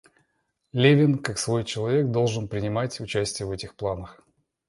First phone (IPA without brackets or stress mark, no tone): lʲ